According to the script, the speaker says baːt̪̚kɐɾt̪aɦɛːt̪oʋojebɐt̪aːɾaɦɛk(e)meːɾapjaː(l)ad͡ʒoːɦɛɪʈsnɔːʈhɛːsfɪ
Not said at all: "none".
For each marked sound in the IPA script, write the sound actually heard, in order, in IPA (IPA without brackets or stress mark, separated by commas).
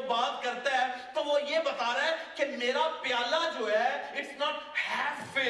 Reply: e, l